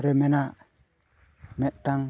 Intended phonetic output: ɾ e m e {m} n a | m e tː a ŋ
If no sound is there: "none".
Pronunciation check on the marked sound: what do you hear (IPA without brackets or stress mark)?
none